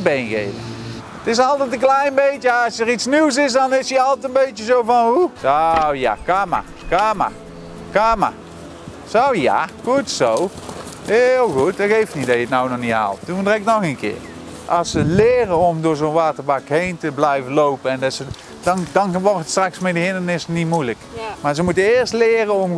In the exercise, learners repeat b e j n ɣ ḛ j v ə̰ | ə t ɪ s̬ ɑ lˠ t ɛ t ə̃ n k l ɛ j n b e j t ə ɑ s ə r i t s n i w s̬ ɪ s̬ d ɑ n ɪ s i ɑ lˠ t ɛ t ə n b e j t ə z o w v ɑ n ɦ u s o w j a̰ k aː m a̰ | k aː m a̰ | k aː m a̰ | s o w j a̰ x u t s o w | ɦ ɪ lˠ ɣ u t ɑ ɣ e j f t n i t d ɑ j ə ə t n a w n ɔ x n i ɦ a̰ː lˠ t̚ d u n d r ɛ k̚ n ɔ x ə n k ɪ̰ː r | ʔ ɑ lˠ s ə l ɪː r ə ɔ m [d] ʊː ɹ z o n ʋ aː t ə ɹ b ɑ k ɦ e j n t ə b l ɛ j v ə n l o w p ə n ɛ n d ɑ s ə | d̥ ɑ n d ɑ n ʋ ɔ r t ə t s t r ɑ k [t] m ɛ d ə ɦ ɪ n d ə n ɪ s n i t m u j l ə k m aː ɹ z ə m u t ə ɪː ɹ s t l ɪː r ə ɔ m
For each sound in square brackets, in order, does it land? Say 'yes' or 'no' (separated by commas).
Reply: yes, no